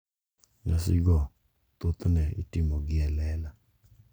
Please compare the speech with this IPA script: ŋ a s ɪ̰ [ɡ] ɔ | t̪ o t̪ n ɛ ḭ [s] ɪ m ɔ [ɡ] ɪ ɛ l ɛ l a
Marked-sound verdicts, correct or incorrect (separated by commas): correct, incorrect, correct